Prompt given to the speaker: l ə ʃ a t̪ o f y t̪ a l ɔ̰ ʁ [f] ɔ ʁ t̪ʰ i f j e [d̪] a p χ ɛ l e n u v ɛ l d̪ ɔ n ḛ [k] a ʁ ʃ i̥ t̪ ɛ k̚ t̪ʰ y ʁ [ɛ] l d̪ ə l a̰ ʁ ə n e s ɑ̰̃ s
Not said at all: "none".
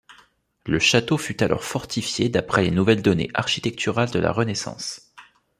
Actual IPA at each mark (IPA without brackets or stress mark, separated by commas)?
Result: f, d̪, ʔ, a